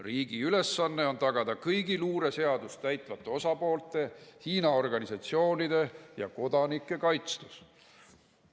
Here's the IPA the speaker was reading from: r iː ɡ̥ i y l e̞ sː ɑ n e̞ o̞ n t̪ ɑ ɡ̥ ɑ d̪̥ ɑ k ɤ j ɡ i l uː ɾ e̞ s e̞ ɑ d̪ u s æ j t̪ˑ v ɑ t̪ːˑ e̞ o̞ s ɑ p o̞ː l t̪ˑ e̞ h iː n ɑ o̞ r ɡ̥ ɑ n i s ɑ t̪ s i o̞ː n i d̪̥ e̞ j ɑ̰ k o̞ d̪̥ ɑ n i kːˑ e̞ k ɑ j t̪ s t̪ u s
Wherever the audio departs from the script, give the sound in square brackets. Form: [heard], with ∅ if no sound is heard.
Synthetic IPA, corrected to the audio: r iː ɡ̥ i y l e̞ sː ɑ [nː] e̞ o̞ n t̪ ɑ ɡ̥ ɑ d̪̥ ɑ k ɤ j ɡ i l uː ɾ e̞ s e̞ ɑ d̪ u s æ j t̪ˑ v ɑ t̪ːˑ e̞ o̞ s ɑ p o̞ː l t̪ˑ e̞ h iː n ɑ o̞ r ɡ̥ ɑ n i s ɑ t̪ s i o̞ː n i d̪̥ e̞ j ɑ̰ k o̞ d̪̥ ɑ n i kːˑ e̞ k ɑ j t̪ s t̪ u s